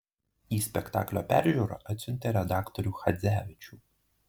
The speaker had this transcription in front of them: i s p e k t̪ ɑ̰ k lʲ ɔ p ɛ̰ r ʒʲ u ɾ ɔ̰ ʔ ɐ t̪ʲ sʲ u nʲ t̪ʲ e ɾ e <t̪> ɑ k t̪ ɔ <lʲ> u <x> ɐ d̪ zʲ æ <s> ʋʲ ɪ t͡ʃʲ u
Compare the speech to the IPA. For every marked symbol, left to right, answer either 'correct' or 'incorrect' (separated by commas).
incorrect, incorrect, correct, incorrect